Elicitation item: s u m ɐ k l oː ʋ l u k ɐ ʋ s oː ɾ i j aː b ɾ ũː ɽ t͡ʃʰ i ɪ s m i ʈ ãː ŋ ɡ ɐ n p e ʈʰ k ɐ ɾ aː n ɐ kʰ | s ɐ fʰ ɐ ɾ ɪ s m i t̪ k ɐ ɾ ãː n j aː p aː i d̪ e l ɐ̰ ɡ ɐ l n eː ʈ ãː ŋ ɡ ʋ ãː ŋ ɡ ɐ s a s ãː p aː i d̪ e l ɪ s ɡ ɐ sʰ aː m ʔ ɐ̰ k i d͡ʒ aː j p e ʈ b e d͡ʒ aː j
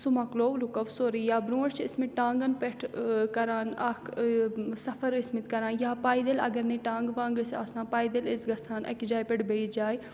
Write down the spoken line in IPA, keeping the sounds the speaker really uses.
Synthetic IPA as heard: s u m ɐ k l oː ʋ l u k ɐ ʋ s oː ɾ i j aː b ɾ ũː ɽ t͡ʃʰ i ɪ s m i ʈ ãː ŋ ɡ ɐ n p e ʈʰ k ɐ ɾ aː n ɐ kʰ | s ɐ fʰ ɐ ɾ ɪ s m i t̪ k ɐ ɾ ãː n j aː p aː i d̪ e l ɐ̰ ɡ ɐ ɾ n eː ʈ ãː ŋ ɡ ʋ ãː ŋ ɡ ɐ s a s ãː p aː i d̪ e l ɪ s ɡ ɐ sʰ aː n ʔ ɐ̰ k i d͡ʒ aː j p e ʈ b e d͡ʒ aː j